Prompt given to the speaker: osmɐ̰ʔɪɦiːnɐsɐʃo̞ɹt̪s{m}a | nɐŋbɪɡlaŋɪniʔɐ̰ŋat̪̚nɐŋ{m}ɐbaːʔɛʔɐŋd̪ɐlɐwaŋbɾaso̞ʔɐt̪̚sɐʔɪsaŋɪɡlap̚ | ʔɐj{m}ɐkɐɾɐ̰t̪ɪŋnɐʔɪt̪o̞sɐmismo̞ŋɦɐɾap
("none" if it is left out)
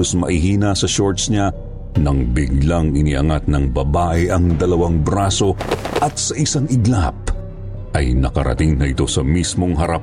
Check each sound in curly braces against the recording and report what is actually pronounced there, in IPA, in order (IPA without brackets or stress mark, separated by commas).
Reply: ɲ, b, n